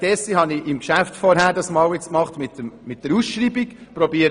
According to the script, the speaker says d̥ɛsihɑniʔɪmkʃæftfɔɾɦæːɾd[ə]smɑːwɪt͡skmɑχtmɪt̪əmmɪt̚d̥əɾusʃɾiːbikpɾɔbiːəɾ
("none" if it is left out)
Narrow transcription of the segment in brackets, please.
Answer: ɑ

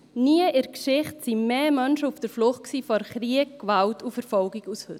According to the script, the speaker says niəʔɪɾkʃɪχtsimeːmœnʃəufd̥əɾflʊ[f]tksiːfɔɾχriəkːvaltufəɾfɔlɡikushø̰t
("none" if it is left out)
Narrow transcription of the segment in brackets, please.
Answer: χ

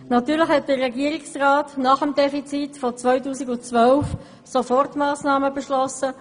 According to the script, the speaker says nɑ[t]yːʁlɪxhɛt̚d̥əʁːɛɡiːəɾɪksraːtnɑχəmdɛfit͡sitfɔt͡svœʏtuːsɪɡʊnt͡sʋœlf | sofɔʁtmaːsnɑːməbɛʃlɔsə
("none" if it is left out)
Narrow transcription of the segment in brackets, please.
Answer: t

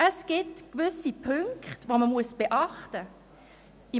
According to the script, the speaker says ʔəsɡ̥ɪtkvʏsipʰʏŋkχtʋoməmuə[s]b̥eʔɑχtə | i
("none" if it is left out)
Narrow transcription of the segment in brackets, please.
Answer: s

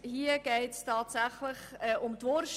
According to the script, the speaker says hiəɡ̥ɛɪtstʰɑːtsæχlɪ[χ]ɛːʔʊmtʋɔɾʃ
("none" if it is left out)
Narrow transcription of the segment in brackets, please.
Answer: χ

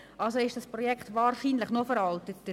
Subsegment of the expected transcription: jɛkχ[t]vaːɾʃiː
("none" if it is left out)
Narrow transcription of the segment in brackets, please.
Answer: t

